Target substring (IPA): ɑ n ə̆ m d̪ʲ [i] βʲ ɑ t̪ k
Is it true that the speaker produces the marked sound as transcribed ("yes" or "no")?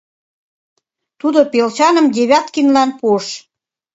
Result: no